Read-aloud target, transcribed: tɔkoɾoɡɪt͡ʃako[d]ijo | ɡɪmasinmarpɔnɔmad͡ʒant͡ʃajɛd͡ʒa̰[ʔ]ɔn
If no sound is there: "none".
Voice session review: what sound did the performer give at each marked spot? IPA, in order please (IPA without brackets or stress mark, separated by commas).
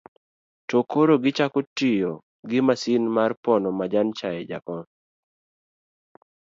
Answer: t, k